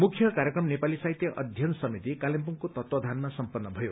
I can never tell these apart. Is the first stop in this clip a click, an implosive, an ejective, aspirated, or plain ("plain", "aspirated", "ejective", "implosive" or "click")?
aspirated